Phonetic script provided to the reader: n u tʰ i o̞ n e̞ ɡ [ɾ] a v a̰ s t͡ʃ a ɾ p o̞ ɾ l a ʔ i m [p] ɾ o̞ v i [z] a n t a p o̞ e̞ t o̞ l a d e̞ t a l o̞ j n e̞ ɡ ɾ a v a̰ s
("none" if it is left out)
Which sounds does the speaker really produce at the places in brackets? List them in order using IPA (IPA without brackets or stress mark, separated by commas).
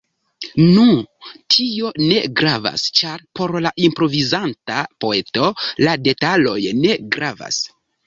ɾ, p, z